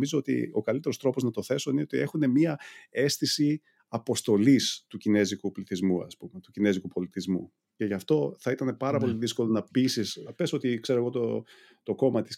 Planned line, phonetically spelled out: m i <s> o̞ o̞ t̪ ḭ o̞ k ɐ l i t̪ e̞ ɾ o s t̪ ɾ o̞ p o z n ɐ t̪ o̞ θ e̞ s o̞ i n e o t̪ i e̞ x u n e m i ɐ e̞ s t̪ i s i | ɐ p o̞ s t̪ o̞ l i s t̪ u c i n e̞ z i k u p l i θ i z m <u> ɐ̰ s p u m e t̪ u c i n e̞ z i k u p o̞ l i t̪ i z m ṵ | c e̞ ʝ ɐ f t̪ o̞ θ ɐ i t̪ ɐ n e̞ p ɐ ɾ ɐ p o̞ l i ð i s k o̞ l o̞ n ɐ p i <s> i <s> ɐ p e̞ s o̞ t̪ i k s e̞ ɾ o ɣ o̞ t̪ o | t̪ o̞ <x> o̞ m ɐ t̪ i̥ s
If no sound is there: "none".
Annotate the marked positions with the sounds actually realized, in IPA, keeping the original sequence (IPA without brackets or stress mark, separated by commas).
z, u, s, s, k